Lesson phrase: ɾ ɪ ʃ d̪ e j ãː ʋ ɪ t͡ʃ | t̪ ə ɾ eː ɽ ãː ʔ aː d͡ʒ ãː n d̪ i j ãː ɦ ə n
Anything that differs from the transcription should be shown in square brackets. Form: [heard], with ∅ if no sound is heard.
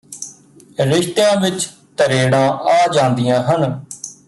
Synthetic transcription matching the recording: ɾ ɪ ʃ [t̪] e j ãː ʋ ɪ t͡ʃ | t̪ ə ɾ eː ɽ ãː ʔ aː d͡ʒ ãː n d̪ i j ãː ɦ ə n